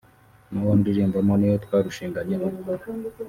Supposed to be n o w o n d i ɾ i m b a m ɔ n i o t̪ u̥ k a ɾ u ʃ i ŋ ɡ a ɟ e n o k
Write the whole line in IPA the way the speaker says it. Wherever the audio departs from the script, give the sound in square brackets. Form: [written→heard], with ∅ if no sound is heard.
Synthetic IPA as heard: n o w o n d i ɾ i m b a m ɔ n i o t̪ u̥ k a ɾ u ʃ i ŋ ɡ a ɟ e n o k